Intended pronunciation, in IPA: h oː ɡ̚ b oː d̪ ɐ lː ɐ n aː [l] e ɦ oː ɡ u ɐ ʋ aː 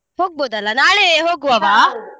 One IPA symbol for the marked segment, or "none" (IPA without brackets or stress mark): ɭ